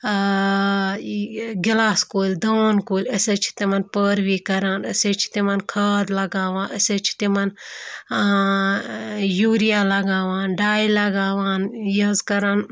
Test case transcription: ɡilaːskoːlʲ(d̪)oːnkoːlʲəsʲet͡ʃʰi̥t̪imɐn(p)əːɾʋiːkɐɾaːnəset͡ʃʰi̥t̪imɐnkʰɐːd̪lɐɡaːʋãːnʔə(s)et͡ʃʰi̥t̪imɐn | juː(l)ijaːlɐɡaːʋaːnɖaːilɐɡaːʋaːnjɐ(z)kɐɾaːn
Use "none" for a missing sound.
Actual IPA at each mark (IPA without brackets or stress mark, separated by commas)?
d̪, p, s, ɾ, z